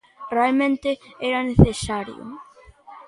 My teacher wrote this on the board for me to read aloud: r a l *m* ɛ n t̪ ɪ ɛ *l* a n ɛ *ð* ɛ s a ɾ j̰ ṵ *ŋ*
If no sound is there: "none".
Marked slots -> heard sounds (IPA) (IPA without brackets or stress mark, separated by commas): m, ɾ, θ, m